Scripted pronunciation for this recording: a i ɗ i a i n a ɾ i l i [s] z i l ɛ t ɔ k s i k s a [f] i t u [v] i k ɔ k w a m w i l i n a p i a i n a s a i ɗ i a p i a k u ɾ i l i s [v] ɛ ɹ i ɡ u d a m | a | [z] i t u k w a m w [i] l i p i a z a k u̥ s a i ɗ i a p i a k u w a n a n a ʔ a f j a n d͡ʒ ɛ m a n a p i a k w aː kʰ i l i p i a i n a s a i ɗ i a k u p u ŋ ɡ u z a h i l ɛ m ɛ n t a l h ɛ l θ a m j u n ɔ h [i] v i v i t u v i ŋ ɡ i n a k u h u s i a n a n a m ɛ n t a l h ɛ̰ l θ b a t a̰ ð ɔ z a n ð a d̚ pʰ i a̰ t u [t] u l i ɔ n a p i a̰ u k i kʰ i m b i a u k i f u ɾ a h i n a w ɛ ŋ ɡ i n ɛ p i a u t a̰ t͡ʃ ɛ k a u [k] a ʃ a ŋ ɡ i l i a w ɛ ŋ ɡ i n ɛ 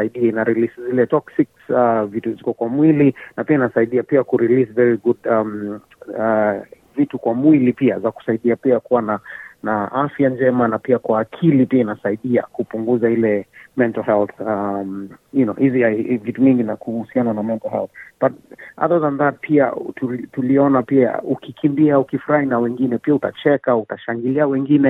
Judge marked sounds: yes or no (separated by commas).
yes, no, no, yes, no, yes, yes, yes, no